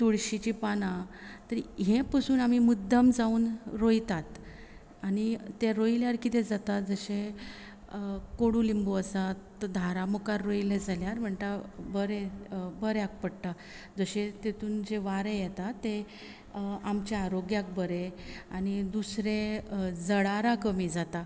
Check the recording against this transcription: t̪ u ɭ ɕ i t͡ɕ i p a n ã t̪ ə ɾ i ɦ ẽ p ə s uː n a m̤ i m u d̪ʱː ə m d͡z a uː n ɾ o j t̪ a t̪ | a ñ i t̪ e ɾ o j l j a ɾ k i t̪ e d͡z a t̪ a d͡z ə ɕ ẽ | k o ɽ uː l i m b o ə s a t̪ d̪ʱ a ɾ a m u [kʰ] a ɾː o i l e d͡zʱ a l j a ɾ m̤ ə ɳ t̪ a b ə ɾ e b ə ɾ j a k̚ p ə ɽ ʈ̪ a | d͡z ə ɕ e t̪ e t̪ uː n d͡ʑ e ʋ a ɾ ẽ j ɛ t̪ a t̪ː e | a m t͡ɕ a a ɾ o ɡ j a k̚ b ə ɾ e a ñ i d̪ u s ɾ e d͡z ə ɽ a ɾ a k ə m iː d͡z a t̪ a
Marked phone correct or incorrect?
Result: incorrect